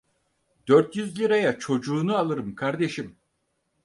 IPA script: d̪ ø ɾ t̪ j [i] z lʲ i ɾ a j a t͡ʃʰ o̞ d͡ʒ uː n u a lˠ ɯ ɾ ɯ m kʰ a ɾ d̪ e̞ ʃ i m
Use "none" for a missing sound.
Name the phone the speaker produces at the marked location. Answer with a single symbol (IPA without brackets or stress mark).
y